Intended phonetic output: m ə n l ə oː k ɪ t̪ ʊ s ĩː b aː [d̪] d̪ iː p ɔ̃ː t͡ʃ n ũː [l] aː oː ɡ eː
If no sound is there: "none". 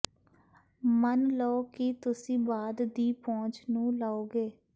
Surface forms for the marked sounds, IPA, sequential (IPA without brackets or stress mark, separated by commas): d̪, l